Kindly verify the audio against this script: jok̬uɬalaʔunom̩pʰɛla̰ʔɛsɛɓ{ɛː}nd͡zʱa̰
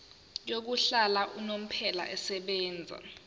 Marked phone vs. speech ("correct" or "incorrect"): correct